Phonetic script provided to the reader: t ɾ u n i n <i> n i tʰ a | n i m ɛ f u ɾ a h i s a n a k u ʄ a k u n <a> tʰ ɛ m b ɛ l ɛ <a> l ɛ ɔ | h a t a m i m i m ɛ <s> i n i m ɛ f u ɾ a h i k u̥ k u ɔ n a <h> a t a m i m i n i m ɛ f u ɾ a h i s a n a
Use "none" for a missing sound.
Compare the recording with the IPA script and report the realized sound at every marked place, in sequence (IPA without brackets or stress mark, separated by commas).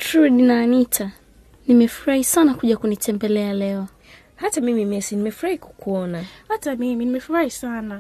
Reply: a, i, a, s, h